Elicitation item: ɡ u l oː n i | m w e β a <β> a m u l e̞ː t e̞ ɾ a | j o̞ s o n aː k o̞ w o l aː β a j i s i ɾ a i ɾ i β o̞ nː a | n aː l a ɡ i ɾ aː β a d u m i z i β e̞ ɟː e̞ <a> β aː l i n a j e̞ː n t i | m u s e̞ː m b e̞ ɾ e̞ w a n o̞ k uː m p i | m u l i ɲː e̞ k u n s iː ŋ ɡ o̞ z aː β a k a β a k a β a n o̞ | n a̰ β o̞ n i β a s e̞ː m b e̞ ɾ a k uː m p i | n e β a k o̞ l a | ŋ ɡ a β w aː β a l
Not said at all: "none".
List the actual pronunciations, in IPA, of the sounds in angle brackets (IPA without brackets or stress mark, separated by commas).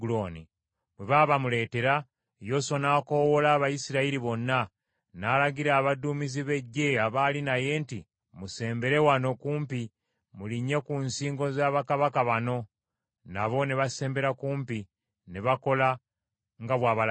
β, a